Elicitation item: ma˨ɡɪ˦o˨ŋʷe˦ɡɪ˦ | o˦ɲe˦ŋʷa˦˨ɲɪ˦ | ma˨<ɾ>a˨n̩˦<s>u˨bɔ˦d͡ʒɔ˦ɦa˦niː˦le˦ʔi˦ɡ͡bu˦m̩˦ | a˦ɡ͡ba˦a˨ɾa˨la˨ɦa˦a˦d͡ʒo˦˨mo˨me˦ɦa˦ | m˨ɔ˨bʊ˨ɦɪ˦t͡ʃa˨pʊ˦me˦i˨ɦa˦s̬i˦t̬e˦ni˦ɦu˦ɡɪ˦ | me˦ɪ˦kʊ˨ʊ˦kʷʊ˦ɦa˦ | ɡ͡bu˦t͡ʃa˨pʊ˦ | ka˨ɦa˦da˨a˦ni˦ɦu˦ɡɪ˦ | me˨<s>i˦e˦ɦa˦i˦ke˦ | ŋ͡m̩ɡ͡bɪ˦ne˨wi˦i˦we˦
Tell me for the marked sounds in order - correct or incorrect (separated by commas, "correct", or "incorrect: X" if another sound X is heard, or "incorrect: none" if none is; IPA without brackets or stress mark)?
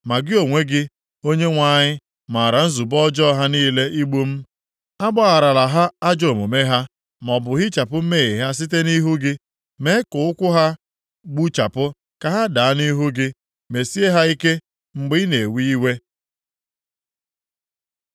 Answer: correct, incorrect: z, correct